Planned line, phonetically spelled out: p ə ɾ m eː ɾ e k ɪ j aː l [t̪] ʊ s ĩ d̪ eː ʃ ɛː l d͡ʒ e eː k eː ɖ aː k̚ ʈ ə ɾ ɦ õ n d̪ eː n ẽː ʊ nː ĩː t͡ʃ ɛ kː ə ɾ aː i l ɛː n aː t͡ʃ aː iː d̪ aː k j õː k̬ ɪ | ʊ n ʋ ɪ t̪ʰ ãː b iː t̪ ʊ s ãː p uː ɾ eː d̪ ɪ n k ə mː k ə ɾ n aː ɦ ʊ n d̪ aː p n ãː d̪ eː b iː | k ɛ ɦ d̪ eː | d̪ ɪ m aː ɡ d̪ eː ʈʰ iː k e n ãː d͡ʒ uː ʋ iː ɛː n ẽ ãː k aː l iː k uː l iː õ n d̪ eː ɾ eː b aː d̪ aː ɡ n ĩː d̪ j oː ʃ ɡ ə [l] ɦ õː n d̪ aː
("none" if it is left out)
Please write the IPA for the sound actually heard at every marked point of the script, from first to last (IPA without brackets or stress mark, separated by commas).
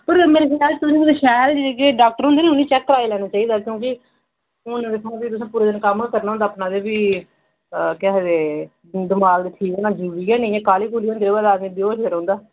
t̪, ɾ